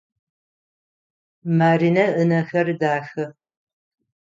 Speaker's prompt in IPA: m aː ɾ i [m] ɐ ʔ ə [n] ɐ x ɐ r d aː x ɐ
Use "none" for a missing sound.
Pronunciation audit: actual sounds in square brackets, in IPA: n, n

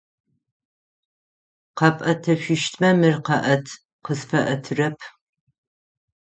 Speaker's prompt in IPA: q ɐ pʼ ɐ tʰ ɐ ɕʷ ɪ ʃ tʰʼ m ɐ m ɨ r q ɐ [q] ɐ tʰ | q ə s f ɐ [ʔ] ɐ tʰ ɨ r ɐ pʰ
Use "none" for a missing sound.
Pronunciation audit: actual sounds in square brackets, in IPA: ʔ, ʔ

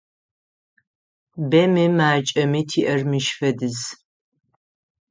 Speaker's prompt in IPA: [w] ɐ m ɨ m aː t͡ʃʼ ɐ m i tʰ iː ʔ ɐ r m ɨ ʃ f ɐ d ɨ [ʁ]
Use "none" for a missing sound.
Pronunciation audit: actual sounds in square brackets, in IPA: b, z

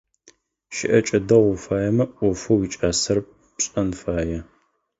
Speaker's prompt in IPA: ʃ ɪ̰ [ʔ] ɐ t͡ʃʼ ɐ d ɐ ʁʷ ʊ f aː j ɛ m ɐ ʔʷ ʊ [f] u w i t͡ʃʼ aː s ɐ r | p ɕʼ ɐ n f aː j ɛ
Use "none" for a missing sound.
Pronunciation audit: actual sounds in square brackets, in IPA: ʔ, f

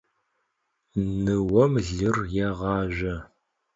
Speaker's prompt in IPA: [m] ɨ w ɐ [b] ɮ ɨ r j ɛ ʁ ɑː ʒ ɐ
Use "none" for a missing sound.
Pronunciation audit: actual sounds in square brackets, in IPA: n, m

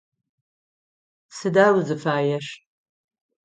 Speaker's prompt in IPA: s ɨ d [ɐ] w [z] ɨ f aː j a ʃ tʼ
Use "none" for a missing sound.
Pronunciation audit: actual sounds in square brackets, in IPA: a, z

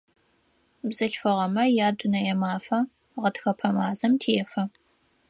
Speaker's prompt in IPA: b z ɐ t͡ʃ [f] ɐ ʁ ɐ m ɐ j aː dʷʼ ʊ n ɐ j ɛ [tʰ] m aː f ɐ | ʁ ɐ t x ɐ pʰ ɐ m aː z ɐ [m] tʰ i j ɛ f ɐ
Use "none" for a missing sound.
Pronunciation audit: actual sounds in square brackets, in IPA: f, none, m

